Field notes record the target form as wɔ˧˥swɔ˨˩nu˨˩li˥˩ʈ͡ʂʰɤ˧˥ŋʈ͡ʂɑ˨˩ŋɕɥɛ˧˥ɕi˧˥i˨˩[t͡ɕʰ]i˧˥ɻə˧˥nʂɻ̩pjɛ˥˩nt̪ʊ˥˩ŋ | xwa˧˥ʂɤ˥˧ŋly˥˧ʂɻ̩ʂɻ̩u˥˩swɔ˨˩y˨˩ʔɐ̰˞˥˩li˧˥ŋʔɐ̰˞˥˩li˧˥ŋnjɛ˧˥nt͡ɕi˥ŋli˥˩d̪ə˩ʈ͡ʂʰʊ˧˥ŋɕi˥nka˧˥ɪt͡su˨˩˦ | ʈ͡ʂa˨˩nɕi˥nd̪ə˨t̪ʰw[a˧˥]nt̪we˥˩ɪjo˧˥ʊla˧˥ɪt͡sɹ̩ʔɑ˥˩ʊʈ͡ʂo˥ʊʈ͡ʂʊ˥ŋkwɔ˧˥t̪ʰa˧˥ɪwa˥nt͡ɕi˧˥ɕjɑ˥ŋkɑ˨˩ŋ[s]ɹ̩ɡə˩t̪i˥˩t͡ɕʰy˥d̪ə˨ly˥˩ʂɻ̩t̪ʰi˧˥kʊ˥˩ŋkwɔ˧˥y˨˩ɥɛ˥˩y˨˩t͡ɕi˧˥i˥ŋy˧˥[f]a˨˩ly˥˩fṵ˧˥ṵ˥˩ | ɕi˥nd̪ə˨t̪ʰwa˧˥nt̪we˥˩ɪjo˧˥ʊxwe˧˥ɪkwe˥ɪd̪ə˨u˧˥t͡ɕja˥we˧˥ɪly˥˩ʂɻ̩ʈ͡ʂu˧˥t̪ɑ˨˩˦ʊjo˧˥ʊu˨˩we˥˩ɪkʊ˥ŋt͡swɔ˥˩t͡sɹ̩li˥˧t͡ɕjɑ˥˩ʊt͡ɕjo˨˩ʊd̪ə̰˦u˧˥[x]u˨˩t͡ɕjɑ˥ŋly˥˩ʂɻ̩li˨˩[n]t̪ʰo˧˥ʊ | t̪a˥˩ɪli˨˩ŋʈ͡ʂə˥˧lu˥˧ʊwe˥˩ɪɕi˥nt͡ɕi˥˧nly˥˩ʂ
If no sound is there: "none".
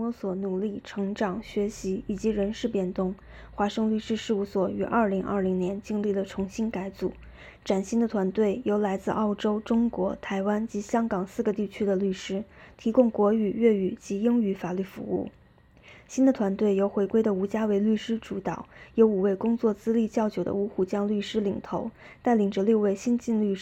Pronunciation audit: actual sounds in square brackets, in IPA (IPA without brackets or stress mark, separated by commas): t͡ɕ, a˧˥, s, f, x, ŋ